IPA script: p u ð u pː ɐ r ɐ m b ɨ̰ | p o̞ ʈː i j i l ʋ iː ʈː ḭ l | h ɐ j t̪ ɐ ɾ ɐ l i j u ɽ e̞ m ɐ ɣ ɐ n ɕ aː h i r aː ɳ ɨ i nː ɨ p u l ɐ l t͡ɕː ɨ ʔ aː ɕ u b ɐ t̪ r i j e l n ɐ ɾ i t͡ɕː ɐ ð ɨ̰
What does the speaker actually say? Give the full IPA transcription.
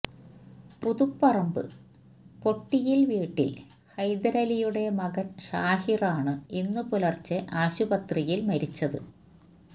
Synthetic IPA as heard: p u ð u pː ɐ r ɐ m b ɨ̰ | p o̞ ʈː i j i l ʋ iː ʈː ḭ l | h ɐ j d̪ ɐ ɾ ɐ l i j u ɽ e̞ m ɐ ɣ ɐ n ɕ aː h i r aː ɳ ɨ i nː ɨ p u l ɐ r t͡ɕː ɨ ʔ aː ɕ u b ɐ t̪ r i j i l m ɐ ɾ i t͡ɕː ɐ ð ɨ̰